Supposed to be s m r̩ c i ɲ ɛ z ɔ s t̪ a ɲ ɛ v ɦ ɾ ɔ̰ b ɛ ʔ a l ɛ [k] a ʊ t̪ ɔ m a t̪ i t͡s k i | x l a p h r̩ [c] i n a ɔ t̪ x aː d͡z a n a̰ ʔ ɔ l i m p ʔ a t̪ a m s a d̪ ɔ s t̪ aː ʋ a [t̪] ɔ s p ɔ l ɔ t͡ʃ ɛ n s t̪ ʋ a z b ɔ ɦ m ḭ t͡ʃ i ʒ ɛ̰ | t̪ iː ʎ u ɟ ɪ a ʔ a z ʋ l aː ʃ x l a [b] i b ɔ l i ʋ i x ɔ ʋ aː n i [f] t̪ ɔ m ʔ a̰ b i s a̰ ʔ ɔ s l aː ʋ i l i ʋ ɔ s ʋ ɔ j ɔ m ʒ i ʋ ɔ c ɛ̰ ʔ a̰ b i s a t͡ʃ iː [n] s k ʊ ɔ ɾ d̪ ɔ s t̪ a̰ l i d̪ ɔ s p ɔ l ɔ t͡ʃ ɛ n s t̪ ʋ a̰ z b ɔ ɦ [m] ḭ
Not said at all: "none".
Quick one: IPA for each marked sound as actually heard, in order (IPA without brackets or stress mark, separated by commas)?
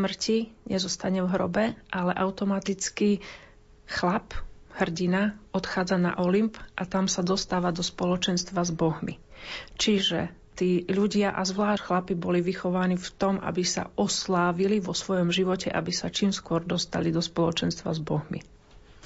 ʔ, ɟ, d̪, p, f, m, m